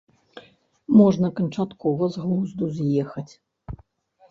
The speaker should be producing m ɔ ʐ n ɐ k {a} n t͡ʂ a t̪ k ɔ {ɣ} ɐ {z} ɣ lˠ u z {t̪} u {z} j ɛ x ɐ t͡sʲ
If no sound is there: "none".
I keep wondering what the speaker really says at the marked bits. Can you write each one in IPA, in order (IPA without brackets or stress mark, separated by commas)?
ɐ, v, z, d̪, z